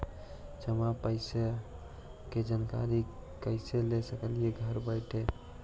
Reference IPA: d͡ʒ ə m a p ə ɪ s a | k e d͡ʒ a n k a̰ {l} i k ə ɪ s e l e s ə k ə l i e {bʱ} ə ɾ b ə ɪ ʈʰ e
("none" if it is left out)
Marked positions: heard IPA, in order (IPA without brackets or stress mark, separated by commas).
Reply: ɾ, ɡʱ